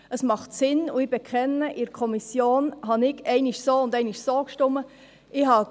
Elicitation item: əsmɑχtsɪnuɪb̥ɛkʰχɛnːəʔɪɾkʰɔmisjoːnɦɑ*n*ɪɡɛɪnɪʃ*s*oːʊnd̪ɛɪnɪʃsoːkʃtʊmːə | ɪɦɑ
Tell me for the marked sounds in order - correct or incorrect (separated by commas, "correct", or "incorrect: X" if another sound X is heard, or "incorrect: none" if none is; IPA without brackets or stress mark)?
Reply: correct, correct